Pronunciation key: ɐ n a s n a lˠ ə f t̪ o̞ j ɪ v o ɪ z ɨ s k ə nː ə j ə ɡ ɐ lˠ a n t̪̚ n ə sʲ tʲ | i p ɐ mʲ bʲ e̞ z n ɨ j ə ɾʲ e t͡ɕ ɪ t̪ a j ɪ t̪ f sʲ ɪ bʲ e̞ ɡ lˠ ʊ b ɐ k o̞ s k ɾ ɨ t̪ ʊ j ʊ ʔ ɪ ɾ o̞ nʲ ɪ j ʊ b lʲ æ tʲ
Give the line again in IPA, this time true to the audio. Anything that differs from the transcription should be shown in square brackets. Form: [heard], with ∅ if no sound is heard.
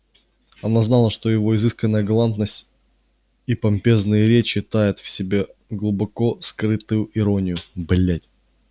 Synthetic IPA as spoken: ɐ n a [z] n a lˠ ə [ʂ] t̪ o̞ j ɪ v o ɪ z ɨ s k ə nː ə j ə ɡ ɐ lˠ a n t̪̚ n ə sʲ tʲ | i p ɐ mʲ [pʲ] e̞ z n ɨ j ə ɾʲ e t͡ɕ ɪ t̪ a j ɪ t̪ f sʲ ɪ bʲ e̞ ɡ lˠ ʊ b ɐ k o̞ s k ɾ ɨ t̪ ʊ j ʊ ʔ ɪ ɾ o̞ nʲ ɪ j ʊ b lʲ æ tʲ